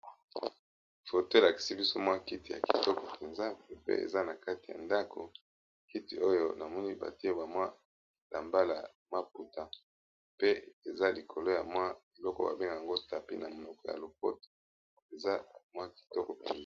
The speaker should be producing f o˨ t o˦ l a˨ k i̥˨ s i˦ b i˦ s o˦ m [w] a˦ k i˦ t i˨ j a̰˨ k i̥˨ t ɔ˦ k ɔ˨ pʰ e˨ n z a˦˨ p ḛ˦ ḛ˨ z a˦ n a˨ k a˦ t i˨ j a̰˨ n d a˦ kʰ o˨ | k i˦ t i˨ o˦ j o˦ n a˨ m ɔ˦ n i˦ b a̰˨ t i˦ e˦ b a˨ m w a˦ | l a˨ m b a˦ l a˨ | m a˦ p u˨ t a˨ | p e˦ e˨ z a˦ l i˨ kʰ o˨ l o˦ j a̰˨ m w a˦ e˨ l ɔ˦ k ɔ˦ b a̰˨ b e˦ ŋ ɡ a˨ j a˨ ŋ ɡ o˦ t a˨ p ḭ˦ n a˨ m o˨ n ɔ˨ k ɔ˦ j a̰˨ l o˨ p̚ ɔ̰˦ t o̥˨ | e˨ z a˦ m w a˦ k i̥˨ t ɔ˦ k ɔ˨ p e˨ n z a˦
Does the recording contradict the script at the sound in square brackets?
no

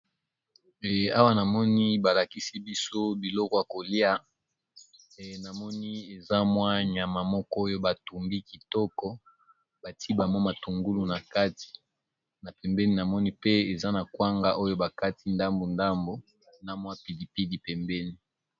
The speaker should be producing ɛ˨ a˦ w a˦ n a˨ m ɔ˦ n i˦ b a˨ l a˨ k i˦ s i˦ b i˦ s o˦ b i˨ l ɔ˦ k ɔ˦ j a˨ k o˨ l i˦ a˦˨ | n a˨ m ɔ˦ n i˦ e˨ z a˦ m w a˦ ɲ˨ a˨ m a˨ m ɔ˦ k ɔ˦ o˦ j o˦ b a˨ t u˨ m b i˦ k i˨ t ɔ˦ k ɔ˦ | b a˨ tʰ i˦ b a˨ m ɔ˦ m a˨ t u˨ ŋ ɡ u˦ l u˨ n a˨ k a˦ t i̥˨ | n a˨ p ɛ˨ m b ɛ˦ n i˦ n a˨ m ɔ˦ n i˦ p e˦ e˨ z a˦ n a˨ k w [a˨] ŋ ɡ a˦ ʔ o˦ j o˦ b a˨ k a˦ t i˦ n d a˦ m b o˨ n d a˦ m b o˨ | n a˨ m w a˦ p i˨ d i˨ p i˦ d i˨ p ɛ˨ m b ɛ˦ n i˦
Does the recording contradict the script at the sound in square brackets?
yes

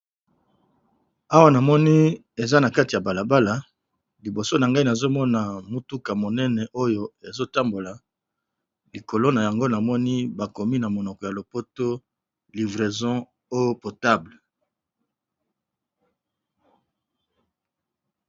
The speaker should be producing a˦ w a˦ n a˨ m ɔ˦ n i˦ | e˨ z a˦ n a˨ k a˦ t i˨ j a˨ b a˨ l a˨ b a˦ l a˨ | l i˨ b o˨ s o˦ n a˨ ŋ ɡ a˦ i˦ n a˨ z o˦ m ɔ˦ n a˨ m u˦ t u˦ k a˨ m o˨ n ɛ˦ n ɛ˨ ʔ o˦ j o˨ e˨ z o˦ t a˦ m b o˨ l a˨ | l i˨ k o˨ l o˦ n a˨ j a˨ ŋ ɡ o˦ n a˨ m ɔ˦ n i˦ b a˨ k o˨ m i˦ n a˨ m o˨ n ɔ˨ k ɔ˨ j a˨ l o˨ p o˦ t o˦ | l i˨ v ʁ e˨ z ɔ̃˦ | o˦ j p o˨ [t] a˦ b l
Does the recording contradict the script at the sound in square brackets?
no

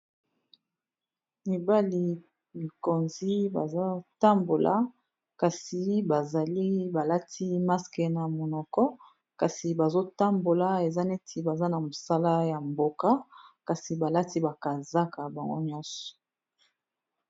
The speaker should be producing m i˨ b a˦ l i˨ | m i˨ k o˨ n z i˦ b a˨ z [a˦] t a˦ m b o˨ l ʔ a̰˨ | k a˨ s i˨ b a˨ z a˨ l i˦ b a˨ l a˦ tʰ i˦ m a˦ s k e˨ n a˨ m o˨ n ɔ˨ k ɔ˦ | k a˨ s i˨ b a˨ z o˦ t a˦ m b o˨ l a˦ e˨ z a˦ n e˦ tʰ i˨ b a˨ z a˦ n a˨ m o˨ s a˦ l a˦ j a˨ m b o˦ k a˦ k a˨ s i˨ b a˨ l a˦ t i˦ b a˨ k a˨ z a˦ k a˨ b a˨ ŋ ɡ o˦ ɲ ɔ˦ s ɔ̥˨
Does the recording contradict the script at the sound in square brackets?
no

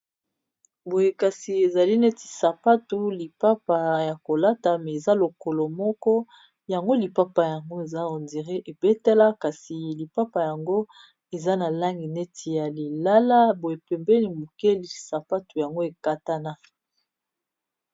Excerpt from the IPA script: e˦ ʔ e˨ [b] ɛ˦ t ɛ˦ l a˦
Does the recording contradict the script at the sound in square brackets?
no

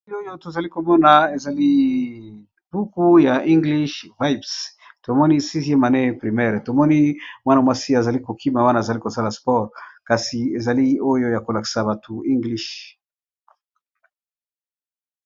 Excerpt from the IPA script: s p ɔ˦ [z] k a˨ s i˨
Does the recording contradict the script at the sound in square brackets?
yes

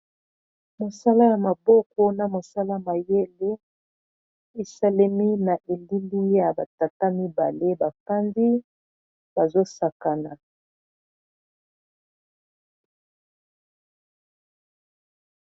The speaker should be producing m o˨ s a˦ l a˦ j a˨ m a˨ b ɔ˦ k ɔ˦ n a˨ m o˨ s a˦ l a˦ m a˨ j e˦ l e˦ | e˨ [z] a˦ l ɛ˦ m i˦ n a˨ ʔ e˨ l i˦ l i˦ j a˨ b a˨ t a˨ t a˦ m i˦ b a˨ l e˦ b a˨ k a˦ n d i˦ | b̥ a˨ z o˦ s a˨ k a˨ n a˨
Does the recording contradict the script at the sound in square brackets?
yes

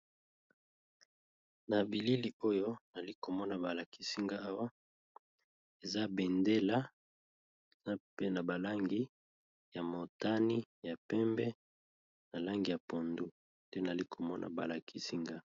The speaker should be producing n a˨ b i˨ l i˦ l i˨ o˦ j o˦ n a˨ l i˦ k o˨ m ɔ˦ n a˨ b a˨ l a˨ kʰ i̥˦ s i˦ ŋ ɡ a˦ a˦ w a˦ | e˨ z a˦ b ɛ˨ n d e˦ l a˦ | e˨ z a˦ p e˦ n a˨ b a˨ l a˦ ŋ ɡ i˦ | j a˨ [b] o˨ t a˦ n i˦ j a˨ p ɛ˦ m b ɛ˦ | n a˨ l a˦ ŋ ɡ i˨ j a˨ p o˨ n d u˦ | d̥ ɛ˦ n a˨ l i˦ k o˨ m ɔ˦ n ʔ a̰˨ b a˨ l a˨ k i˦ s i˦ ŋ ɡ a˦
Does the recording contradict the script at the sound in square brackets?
yes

